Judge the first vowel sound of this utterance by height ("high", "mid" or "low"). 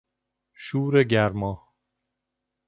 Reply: high